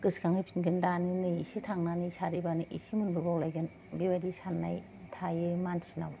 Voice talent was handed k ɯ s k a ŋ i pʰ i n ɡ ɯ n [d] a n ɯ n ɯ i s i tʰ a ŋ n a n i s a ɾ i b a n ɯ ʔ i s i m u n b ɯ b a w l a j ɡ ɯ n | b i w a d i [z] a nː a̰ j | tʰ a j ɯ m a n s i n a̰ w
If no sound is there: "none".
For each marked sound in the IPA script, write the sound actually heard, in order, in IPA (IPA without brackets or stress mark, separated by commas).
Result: d, s